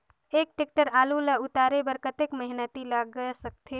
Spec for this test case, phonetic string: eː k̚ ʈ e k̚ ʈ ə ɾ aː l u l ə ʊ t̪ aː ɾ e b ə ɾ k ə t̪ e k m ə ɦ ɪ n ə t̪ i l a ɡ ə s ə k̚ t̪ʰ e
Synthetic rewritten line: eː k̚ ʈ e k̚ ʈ ə ɾ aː l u l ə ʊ t̪ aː ɾ e b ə ɾ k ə t̪ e k m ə ɦ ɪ n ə t̪ i l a ɡ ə s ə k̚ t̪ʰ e